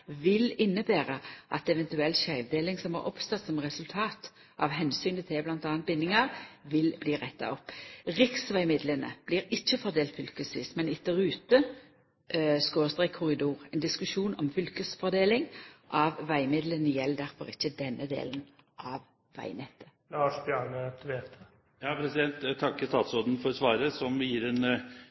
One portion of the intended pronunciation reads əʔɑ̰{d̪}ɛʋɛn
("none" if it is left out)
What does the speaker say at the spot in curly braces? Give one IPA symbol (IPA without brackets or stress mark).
t̪